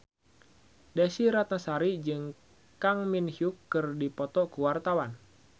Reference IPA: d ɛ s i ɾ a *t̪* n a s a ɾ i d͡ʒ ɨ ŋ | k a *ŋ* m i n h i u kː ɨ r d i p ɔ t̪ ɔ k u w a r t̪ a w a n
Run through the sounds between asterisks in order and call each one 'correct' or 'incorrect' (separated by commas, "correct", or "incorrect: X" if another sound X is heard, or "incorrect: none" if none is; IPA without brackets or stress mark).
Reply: correct, correct